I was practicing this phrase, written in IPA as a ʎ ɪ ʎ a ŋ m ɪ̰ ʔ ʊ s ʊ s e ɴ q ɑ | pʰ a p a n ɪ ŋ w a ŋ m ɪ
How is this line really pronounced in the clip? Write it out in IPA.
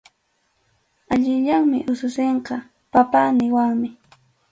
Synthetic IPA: a ʎ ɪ ʎ a ŋ m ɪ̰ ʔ ʊ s ʊ s e ɴ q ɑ | p a p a n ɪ w a ŋ m ɪ